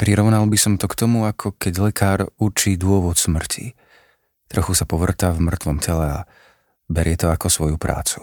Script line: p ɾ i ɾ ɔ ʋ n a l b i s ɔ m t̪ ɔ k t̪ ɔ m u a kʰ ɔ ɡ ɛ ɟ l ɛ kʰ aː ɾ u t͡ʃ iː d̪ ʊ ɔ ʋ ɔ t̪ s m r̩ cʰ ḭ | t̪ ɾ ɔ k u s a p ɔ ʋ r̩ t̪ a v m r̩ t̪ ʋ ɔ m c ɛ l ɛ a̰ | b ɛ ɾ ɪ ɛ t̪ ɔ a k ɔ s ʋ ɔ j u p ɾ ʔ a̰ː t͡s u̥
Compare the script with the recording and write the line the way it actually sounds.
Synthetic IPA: p ɾ i ɾ ɔ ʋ n a l b i s ɔ m t̪ ɔ k t̪ ɔ m u a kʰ ɔ k ɛ ɟ l ɛ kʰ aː ɾ u t͡ʃ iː d̪ ʊ ɔ ʋ ɔ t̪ s m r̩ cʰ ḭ | t̪ ɾ ɔ x u s a p ɔ ʋ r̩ t̪ a v m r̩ t̪ ʋ ɔ m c ɛ l ɛ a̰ | b ɛ ɾ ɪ ɛ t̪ ɔ a k ɔ s ʋ ɔ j u p ɾ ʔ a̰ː t͡s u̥